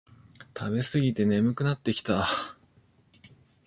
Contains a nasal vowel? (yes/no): no